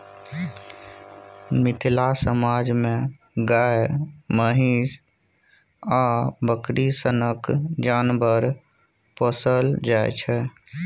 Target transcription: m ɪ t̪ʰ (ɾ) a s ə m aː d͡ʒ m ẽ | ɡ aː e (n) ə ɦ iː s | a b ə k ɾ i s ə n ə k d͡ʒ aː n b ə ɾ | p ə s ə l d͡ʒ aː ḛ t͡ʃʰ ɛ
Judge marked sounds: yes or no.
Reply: no, no

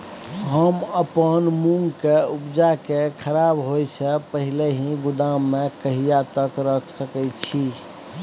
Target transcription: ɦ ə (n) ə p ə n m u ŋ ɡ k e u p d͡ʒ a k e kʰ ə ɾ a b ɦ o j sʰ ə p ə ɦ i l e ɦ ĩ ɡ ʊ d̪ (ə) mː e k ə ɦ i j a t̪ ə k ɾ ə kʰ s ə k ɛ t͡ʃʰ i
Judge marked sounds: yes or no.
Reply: no, no

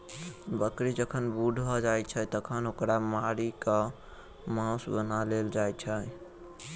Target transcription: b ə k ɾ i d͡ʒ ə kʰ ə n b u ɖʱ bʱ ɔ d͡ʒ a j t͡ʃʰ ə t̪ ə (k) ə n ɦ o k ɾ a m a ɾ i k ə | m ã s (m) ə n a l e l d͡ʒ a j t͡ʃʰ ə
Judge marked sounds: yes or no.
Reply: no, no

